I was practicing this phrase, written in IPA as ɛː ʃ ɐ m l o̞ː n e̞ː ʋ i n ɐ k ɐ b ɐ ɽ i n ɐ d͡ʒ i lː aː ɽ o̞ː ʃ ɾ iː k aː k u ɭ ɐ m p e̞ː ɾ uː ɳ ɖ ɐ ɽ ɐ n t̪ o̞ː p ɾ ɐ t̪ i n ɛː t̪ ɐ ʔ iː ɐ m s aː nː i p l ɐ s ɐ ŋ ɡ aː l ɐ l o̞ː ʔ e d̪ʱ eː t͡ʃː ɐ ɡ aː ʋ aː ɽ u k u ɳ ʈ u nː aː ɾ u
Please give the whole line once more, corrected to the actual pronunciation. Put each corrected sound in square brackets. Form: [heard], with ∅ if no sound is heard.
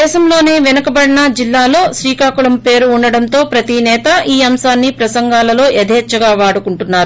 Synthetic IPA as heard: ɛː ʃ ɐ m l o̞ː n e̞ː ʋ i n ɐ k ɐ b ɐ ɽ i n ɐ d͡ʒ i lː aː [l] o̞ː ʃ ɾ iː k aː k u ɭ ɐ m p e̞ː ɾ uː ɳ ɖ ɐ ɽ ɐ n t̪ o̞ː p ɾ ɐ t̪ i n ɛː t̪ ɐ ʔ iː ɐ m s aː nː i p [ɾ] ɐ s ɐ ŋ ɡ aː l ɐ l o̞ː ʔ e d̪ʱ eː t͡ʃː ɐ ɡ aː ʋ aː ɽ u k u ɳ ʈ u nː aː ɾ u

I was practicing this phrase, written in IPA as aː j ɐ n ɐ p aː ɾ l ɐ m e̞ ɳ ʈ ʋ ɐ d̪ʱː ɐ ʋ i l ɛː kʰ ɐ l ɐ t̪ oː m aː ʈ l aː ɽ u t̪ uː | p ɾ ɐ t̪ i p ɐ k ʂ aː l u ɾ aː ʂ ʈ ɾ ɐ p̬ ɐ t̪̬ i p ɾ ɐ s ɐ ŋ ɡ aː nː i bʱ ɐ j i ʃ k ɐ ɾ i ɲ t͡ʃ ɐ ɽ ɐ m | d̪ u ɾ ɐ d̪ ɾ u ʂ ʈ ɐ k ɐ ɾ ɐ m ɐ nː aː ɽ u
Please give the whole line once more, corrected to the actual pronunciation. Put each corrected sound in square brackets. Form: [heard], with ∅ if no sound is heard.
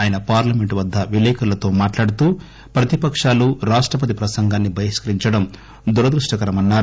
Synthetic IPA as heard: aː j ɐ n ɐ p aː ɾ l ɐ m e̞ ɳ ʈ ʋ ɐ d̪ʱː ɐ ʋ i l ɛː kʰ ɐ l ɐ t̪ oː m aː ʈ l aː ɽ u t̪ uː | p ɾ ɐ t̪ i p ɐ k ʂ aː l u ɾ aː ʂ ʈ ɾ ɐ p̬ ɐ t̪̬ i p ɾ ɐ s ɐ ŋ ɡ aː nː i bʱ ɐ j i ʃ k ɐ ɾ i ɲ t͡ʃ ɐ ɽ ɐ m | d̪ u ɾ ɐ d̪ ɾ u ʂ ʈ ɐ k ɐ ɾ ɐ m ɐ nː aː [ɾ] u

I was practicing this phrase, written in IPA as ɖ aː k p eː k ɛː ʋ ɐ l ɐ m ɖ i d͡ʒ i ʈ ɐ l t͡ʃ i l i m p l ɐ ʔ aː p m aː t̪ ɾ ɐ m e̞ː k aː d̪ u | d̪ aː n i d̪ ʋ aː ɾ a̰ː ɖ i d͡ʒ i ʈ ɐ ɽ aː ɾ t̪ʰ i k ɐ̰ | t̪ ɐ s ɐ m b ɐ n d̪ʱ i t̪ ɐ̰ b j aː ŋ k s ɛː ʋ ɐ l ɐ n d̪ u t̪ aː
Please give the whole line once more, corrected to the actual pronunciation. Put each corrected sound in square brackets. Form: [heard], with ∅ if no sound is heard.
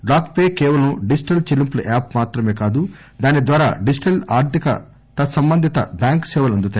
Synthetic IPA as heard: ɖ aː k p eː k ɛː ʋ ɐ l ɐ m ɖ i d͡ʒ i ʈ ɐ l t͡ʃ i l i m p l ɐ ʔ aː p m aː t̪ ɾ ɐ m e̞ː k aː d̪ u | d̪ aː n i d̪ ʋ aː ɾ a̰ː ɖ i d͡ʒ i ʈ ɐ [l] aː ɾ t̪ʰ i k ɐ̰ | t̪ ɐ s ɐ m b ɐ n d̪ʱ i t̪ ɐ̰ b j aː ŋ k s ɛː ʋ ɐ l ɐ n d̪ u t̪ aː

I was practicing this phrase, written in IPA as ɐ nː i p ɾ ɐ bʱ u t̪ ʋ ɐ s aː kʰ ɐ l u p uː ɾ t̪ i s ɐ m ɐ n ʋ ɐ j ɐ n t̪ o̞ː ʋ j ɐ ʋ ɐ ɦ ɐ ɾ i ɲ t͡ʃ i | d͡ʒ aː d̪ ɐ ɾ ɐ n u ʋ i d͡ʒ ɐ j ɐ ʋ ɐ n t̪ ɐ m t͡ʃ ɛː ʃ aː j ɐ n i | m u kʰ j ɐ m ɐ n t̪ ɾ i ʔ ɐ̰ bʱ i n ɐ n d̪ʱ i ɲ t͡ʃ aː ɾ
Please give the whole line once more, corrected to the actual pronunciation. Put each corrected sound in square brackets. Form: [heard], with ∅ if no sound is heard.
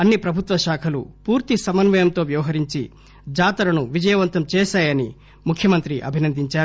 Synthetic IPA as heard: ɐ nː i p ɾ ɐ bʱ u t̪ ʋ ɐ [ʃ] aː kʰ ɐ l u p uː ɾ t̪ i s ɐ m ɐ n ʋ ɐ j ɐ [m] t̪ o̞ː ʋ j ɐ ʋ ɐ ɦ ɐ ɾ i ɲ t͡ʃ i | d͡ʒ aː [t̪] ɐ ɾ ɐ n u ʋ i d͡ʒ ɐ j ɐ ʋ ɐ n t̪ ɐ m t͡ʃ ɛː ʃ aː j ɐ n i | m u kʰ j ɐ m ɐ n t̪ ɾ i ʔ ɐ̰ bʱ i n ɐ n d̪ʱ i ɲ t͡ʃ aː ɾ

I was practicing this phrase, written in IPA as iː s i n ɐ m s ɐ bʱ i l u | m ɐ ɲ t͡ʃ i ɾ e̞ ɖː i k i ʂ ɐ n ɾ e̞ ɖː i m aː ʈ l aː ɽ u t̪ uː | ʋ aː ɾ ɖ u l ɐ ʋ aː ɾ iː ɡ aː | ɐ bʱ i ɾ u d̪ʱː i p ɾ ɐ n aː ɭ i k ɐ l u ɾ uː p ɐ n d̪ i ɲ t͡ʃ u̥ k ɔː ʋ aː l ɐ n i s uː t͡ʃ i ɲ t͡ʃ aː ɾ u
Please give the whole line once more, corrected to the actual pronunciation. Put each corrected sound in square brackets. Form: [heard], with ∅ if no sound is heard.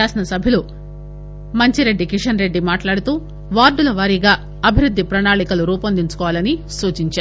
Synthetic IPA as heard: [aː] s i n ɐ [∅] s ɐ bʱ i l u | m ɐ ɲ t͡ʃ i ɾ e̞ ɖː i k i ʂ ɐ n ɾ e̞ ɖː i m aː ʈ l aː ɽ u t̪ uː | ʋ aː ɾ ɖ u l ɐ ʋ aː ɾ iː ɡ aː | ɐ bʱ i ɾ u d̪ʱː i p ɾ ɐ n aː ɭ i k ɐ l u ɾ uː p ɐ n d̪ i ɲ t͡ʃ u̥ k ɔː ʋ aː l ɐ n i s uː t͡ʃ i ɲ t͡ʃ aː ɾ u

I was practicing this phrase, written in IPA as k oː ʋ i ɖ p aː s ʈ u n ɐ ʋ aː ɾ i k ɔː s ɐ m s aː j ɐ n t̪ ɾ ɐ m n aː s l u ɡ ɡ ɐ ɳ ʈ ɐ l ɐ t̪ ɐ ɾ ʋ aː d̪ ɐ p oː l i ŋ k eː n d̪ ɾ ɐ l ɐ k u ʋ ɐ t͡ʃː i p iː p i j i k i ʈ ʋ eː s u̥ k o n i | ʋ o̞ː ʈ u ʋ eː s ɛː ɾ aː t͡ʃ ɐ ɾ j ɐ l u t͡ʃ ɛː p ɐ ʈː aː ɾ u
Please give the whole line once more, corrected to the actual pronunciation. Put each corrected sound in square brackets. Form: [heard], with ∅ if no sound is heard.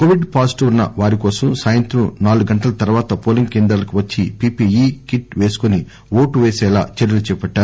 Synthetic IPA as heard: k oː ʋ i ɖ p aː s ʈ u [nː] ɐ ʋ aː ɾ i k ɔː s ɐ m s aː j ɐ n t̪ ɾ ɐ m n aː [∅] l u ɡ ɡ ɐ ɳ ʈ ɐ l ɐ t̪ ɐ ɾ ʋ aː [t̪] ɐ p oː l i ŋ k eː n d̪ ɾ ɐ l ɐ k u ʋ ɐ t͡ʃː i p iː p i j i k i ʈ ʋ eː s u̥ k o n i | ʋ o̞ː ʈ u ʋ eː s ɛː [l] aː t͡ʃ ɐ ɾ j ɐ l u t͡ʃ ɛː p ɐ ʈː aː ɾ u

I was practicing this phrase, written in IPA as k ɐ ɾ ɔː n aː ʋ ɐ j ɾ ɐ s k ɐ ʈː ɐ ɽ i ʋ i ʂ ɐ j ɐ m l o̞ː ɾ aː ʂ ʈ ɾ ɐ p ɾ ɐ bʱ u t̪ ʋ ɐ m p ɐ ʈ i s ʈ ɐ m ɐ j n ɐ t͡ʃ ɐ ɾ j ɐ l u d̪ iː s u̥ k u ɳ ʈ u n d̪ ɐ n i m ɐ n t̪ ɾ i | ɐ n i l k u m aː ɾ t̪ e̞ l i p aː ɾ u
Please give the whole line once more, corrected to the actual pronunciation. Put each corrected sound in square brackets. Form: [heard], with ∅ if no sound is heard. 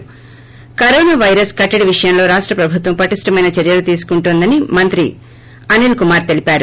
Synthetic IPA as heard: k ɐ ɾ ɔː n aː ʋ ɐ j ɾ ɐ s k ɐ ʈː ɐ ɽ i ʋ i ʂ ɐ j ɐ m l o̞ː ɾ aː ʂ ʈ ɾ ɐ p ɾ ɐ bʱ u t̪ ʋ ɐ m p ɐ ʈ i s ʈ ɐ m ɐ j n ɐ t͡ʃ ɐ ɾ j ɐ l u [t̪] iː s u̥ k u ɳ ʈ u n d̪ ɐ n i m ɐ n t̪ ɾ i | ɐ n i l k u m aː ɾ t̪ e̞ l i p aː ɾ u

